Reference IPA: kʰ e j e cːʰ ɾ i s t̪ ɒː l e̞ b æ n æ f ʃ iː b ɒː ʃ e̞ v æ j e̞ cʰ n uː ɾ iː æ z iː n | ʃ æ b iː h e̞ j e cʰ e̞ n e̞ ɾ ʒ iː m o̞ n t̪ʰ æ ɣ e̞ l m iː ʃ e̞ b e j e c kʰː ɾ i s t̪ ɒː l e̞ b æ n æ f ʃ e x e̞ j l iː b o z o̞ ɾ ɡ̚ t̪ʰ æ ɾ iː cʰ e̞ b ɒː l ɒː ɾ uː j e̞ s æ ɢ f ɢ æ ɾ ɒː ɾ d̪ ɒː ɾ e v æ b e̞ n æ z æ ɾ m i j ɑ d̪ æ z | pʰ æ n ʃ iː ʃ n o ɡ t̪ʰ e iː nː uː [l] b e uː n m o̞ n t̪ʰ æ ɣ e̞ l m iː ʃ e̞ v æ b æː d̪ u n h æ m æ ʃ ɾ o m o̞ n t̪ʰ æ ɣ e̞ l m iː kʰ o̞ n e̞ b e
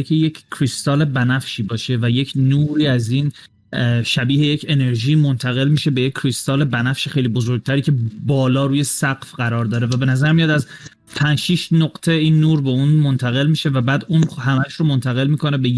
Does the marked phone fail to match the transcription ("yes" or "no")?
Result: yes